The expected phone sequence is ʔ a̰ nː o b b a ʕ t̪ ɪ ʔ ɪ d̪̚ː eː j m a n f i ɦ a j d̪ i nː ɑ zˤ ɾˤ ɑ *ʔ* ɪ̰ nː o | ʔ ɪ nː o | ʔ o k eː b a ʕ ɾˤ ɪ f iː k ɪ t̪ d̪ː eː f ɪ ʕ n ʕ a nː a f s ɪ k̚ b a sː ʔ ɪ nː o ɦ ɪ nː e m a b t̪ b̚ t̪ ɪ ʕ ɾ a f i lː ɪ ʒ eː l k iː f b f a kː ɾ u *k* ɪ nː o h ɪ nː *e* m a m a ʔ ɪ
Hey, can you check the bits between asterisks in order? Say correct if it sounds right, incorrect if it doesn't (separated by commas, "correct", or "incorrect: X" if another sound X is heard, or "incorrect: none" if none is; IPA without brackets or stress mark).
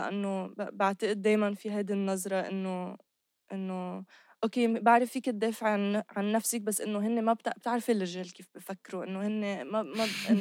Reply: correct, incorrect: ʔ, correct